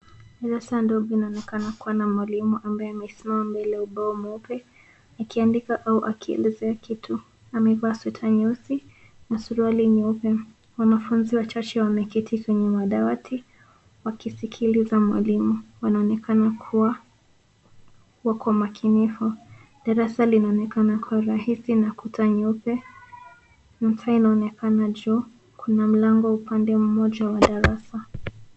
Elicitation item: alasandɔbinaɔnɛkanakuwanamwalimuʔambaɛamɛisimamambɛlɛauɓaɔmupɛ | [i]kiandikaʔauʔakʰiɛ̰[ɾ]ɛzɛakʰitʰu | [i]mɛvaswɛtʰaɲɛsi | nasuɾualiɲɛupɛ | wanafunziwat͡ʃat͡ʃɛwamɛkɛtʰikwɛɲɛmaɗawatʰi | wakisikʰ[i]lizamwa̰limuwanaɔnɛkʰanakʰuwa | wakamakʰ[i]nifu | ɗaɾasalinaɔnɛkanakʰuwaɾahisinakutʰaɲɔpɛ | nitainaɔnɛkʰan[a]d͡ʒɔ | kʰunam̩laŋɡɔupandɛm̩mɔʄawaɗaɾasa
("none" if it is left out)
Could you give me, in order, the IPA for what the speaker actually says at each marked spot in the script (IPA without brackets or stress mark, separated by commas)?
a, l, a, i, i, a